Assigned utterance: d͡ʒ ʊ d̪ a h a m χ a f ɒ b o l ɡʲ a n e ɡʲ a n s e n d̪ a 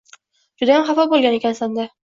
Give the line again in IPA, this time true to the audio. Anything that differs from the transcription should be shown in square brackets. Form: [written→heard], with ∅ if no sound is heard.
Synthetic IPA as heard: d͡ʒ ʊ d̪ a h a m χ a f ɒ b o l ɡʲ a n e [ɡʲ→kʲ] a n s [e→a] n d̪ a